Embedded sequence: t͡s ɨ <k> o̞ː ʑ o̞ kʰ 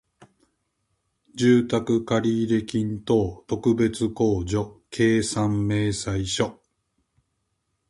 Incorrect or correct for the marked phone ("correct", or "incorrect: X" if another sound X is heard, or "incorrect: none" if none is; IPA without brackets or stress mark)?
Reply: correct